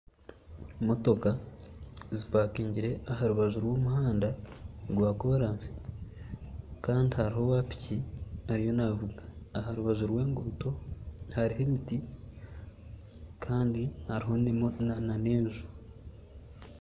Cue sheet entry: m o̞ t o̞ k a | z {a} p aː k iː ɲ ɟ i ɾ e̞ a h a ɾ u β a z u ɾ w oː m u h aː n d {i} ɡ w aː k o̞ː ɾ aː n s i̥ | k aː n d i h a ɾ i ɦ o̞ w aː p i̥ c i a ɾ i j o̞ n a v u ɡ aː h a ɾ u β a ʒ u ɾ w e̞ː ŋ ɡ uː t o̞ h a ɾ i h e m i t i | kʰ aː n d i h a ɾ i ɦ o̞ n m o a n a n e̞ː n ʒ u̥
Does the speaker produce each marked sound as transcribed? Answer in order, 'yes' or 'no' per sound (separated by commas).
no, no